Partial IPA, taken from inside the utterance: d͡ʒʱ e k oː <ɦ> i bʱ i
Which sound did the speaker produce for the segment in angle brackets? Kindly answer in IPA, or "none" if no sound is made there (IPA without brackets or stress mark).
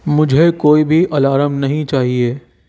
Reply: none